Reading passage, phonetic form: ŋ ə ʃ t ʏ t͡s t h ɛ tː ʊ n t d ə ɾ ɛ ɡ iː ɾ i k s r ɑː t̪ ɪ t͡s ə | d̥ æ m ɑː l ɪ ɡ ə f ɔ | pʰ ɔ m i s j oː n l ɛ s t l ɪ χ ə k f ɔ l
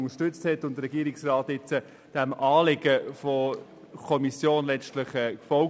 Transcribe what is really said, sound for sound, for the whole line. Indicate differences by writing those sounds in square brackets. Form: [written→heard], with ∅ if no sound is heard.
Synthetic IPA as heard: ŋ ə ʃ t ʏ t͡s t h ɛ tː ʊ n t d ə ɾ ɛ ɡ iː ɾ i k s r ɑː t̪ ɪ t͡s ə | d̥ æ m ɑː l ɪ ɡ ə f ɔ | [pʰ→kʰ] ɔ m i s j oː n l ɛ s t l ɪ χ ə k f ɔ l

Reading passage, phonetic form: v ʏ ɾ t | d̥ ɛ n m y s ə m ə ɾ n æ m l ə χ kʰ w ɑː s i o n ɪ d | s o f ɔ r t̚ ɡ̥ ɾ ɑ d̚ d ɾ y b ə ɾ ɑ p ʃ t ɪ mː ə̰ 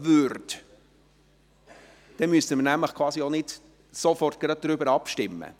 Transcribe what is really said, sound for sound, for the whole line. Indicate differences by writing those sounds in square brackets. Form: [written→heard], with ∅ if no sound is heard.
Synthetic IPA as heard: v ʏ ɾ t | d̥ ɛ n m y s ə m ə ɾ n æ m l ə χ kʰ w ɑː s i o n ɪ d | s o f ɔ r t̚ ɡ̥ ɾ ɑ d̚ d ɾ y b ə ɾ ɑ p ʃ t ɪ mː ə̰

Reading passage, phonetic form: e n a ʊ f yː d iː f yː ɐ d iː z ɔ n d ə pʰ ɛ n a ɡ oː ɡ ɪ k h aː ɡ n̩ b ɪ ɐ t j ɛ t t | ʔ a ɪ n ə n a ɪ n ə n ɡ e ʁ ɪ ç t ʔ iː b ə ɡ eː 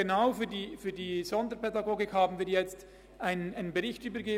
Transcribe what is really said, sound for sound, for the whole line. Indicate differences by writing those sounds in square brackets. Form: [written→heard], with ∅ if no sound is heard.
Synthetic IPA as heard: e n a ʊ f yː d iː f yː ɐ d iː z ɔ n d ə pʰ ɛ [n→d] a ɡ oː ɡ ɪ k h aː [ɡ→b] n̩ [b→v] ɪ ɐ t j ɛ [t→t͡s] t | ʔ a ɪ n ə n a ɪ n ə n [ɡ→b] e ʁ ɪ ç t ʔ [iː→yː] b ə ɡ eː

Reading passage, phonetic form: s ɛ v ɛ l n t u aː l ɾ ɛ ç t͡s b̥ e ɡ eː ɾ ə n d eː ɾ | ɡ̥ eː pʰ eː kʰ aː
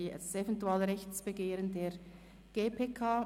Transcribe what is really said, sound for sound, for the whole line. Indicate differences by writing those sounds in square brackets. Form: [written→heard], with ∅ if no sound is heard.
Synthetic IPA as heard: s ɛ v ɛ [l→∅] n t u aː l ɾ ɛ ç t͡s b̥ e ɡ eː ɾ ə n d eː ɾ | ɡ̥ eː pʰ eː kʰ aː

